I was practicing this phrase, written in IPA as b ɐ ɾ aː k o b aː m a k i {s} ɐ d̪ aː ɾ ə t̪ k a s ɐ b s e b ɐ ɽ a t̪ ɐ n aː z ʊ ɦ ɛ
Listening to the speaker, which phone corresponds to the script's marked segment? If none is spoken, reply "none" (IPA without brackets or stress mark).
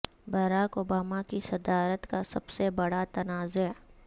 s